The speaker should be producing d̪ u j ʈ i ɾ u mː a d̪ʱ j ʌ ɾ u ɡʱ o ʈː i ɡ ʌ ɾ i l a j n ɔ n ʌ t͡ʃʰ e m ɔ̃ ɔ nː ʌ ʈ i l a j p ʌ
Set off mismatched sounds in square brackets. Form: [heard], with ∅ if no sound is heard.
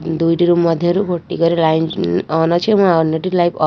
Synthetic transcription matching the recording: d̪ u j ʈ i ɾ u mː [ʌ] d̪ʱ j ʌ ɾ u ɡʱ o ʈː i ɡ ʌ ɾ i l a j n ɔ n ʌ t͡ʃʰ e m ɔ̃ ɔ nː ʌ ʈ i l a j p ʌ